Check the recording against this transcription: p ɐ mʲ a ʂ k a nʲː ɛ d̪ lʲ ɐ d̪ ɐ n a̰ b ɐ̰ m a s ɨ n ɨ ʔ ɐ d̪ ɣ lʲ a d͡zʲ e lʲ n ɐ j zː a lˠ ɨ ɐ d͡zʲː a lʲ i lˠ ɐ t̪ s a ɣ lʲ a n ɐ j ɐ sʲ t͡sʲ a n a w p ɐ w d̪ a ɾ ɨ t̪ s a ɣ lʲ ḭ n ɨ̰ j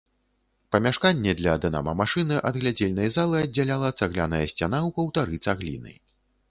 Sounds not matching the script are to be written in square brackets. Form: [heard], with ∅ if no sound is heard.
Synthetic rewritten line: p ɐ mʲ a ʂ k a nʲː ɛ d̪ lʲ ɐ d̪ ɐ n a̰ [m] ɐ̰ m a [ʂ] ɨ n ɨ ʔ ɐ d̪ ɣ lʲ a d͡zʲ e lʲ n ɐ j [z] a lˠ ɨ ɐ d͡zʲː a lʲ [a] lˠ ɐ t̪ s a ɣ lʲ a n ɐ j ɐ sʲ t͡sʲ a n a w p ɐ w [t̪] a ɾ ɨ t̪ s a ɣ lʲ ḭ n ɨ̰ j